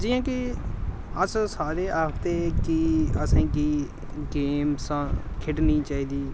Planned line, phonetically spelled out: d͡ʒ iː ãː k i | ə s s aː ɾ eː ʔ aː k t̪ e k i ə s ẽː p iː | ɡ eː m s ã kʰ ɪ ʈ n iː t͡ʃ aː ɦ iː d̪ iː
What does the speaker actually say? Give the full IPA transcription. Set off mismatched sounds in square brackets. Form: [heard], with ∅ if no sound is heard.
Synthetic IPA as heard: d͡ʒ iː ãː k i | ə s s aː ɾ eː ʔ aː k t̪ e k i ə s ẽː [k] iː | ɡ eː m s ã kʰ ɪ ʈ n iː t͡ʃ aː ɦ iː d̪ iː